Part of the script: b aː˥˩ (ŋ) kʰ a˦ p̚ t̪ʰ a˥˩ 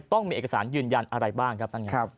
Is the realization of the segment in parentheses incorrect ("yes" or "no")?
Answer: no